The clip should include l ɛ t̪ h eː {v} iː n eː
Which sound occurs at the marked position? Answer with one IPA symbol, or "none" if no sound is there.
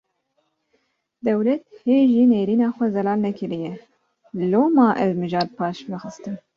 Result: ʒ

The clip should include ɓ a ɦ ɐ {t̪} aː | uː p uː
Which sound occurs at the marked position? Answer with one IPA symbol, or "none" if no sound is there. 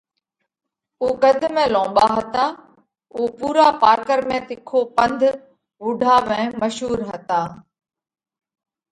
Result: t̪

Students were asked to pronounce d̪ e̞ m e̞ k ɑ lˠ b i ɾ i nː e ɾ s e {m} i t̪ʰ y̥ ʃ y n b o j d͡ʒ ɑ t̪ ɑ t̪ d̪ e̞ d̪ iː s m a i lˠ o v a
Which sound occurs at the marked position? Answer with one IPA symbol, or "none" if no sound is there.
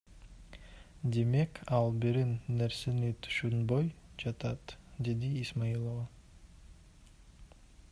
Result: n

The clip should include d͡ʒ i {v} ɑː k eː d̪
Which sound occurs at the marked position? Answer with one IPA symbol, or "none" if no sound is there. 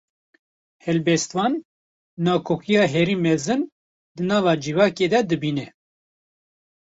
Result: v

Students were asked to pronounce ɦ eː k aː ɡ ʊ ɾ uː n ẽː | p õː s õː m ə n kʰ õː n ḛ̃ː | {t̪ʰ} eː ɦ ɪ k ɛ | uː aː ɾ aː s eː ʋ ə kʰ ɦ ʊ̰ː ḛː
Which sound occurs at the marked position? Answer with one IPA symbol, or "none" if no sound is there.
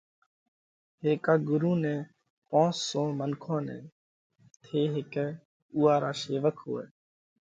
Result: t̪ʰ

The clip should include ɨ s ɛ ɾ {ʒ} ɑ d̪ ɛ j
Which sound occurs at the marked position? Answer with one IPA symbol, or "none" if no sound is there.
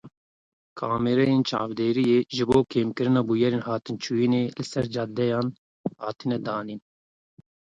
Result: d͡ʒ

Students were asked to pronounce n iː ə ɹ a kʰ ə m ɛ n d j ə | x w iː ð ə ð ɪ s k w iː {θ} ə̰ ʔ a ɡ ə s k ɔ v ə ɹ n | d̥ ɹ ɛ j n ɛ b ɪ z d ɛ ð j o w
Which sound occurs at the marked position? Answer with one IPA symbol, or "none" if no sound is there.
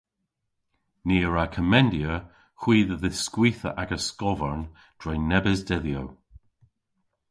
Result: θ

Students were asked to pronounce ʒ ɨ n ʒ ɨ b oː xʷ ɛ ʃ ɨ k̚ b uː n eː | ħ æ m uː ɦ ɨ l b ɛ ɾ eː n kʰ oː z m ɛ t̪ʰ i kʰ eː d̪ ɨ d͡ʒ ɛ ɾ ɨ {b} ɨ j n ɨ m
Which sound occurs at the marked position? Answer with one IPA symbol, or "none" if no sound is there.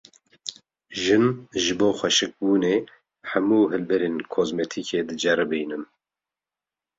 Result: b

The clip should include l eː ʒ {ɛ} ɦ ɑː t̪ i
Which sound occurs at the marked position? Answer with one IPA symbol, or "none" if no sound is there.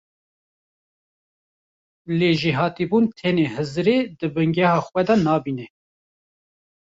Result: i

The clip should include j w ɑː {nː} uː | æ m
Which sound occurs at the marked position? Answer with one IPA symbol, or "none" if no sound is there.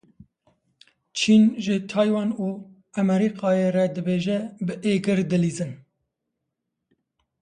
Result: n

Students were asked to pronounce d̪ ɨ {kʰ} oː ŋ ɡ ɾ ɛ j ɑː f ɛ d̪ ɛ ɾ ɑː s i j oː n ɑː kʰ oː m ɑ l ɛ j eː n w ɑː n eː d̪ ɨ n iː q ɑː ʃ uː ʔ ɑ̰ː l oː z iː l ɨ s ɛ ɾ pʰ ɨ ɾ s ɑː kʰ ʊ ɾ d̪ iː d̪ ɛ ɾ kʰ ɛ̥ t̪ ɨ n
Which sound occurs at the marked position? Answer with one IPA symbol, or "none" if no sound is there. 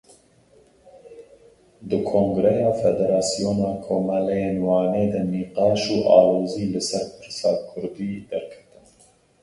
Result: kʰ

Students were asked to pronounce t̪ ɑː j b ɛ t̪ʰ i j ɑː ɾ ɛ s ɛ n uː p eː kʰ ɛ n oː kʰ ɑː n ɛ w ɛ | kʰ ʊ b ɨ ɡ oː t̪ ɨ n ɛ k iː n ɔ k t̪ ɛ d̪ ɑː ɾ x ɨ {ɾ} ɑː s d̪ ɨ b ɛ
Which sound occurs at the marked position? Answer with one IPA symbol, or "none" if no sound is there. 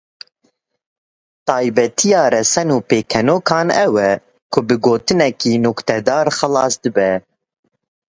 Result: l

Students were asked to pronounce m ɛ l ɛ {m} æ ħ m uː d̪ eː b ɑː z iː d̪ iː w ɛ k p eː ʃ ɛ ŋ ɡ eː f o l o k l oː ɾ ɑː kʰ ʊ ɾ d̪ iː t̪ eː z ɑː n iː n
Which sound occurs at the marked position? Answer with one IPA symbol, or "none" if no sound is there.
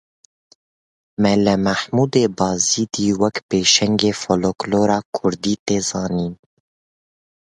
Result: m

